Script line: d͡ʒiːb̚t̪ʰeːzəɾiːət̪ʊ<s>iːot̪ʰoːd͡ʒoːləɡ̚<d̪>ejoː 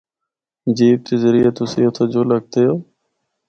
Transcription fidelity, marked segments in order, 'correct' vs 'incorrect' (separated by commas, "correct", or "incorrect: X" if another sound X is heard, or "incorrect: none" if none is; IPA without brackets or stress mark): correct, incorrect: t̪